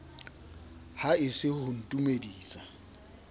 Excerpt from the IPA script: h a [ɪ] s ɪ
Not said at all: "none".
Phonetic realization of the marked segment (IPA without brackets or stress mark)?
ɪ